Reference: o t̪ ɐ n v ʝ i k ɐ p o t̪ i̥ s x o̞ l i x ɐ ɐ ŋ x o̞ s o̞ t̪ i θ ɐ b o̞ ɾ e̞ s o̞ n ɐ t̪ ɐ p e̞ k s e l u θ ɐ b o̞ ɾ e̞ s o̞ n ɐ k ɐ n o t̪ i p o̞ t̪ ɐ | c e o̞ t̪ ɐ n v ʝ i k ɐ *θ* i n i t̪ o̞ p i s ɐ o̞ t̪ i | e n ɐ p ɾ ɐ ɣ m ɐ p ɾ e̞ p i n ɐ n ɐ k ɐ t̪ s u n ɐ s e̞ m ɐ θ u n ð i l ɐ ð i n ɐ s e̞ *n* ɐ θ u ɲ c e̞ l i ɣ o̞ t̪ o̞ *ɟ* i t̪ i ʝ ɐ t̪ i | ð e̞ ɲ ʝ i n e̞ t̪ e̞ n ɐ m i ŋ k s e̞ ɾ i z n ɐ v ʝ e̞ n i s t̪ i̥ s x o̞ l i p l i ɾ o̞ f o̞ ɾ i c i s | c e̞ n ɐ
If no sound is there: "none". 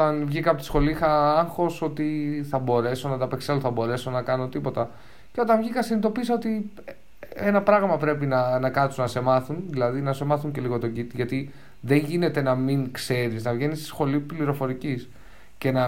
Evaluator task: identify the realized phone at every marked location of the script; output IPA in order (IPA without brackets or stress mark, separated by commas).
s, m, ɟ